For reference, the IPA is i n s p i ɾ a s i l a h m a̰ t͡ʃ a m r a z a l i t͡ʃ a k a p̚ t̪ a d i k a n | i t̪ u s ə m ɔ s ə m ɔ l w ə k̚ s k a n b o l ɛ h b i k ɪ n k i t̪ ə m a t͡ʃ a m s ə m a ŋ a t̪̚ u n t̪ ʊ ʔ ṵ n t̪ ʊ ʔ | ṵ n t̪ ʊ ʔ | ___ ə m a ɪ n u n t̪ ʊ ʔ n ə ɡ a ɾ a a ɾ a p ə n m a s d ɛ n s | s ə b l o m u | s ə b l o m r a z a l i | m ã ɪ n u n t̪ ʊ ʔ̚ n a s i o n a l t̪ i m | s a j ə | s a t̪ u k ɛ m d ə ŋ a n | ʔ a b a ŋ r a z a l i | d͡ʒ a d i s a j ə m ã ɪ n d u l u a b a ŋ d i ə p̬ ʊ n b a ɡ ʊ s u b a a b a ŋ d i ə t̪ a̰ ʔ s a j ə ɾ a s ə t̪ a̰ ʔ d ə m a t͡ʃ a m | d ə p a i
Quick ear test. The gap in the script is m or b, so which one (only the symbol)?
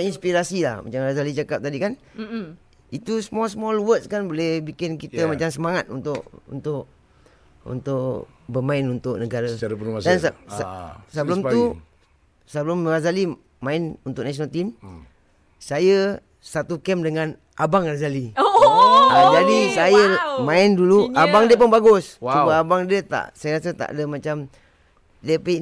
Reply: b